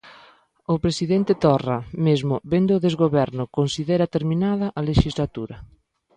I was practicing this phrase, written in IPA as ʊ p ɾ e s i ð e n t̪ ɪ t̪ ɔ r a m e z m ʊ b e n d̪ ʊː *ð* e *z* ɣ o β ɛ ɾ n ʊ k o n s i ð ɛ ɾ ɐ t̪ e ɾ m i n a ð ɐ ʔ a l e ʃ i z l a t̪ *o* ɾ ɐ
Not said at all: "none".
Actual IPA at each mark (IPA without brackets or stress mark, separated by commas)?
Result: ð, z, u